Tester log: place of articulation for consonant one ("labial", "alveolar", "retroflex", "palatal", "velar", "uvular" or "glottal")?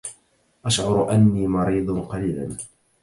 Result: glottal